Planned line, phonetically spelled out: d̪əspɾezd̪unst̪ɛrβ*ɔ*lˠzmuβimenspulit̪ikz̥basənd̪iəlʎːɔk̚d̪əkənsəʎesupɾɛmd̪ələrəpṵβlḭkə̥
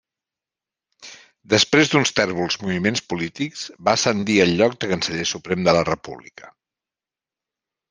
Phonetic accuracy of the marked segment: incorrect: u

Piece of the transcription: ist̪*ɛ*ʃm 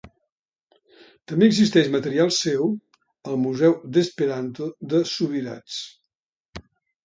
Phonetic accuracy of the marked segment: correct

